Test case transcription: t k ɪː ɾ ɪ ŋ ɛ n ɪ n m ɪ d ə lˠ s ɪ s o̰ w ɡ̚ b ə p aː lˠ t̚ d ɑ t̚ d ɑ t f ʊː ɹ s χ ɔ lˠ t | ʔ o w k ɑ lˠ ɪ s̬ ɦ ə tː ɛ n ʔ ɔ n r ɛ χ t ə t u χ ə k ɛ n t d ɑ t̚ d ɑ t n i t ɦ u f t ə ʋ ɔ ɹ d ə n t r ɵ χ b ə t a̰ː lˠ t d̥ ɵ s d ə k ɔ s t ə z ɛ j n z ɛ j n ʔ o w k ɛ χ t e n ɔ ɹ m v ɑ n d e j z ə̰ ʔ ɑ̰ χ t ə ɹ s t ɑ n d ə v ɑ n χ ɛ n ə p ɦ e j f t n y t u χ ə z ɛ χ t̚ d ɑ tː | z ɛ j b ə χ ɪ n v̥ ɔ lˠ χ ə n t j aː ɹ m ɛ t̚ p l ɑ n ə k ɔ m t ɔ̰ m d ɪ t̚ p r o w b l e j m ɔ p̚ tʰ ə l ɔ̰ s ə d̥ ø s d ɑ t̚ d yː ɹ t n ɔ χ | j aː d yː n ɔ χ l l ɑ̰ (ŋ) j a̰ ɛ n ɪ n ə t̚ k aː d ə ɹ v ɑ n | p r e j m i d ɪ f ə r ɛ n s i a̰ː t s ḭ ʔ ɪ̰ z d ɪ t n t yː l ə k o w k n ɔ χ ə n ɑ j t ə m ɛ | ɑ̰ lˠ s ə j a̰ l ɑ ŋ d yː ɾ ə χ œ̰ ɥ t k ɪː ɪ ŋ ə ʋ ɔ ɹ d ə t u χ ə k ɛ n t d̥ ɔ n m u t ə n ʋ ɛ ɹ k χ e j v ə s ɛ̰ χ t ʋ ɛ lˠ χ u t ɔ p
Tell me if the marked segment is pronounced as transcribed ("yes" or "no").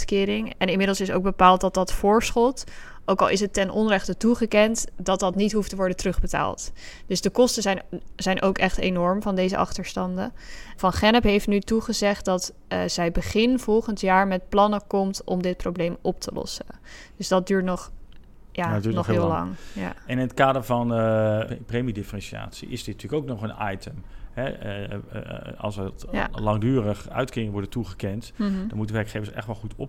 yes